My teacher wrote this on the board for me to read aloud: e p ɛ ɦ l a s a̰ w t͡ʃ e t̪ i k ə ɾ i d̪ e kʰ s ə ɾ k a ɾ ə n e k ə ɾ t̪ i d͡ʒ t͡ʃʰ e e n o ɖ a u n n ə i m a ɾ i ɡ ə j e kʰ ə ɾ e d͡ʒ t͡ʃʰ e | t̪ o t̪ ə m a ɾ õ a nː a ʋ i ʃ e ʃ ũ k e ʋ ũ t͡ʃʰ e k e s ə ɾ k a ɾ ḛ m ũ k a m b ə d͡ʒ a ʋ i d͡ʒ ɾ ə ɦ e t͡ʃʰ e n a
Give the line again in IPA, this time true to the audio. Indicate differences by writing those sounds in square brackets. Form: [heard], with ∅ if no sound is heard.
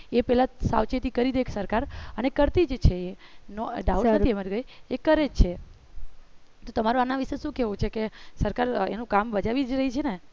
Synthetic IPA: e p ɛ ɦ l a s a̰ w t͡ʃ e t̪ i k ə ɾ i d̪ e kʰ s ə ɾ k a ɾ ə n e k ə ɾ t̪ i d͡ʒ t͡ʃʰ e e n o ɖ a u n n ə i m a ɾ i ɡ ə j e [k] ə ɾ e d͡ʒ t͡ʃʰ e | t̪ o t̪ ə m a ɾ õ a [n] a ʋ i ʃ e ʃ ũ k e ʋ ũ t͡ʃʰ e k e s ə ɾ k a ɾ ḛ [n] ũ k a m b ə d͡ʒ a ʋ i d͡ʒ ɾ ə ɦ [i] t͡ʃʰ e n [e]

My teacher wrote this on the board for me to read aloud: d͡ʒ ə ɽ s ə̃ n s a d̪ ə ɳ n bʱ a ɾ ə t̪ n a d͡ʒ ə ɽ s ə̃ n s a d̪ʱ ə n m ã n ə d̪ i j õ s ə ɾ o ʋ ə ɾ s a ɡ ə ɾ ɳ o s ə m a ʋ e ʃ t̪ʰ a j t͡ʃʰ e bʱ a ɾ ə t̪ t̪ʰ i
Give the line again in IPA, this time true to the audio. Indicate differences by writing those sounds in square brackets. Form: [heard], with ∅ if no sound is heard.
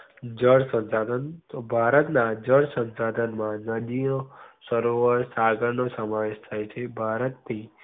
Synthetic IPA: d͡ʒ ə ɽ s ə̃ n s a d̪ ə [∅] n bʱ a ɾ ə t̪ n a d͡ʒ ə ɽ s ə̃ n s a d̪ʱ ə n m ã n ə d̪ i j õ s ə ɾ o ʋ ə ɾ s a ɡ ə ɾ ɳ o s ə m a ʋ e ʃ t̪ʰ a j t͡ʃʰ e bʱ a ɾ ə t̪ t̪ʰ i

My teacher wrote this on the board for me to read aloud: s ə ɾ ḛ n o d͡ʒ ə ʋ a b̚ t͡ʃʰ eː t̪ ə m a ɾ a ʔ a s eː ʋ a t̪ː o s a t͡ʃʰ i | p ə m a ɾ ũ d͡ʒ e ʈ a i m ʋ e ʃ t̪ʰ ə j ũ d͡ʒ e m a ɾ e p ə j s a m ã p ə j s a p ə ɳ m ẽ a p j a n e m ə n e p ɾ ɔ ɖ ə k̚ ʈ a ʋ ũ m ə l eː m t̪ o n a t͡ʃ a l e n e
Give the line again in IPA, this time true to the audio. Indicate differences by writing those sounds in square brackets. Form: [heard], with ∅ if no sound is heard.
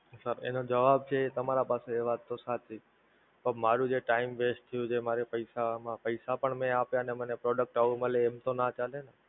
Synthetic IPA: s ə ɾ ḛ n o d͡ʒ ə ʋ a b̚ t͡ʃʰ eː t̪ ə m a ɾ a [p] a s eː ʋ a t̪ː o s a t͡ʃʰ i | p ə m a ɾ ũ d͡ʒ e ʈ a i m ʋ e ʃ t̪ʰ ə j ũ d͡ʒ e m a ɾ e p ə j s a m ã p ə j s a p ə ɳ m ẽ a p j a n e m ə n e p ɾ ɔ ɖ ə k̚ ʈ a ʋ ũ m ə l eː m t̪ o n a t͡ʃ a l e n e

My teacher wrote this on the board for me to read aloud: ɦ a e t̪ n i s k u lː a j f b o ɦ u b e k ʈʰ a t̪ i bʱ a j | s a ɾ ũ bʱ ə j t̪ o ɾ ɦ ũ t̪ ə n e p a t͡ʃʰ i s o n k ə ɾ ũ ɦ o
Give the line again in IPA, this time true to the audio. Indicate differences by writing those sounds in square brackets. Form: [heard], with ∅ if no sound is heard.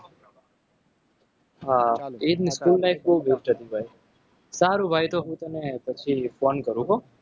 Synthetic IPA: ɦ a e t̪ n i s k u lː a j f b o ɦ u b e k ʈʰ [ə] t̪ i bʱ a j | s a ɾ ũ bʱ [a] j t̪ o [∅] ɦ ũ t̪ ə n e p [ə] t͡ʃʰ i [f] o n k ə ɾ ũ ɦ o

